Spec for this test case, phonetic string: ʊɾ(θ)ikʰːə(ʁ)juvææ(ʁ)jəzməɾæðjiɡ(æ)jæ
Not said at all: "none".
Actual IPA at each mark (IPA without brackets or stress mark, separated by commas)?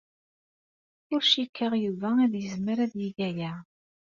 ʃ, ʁ, ð, æ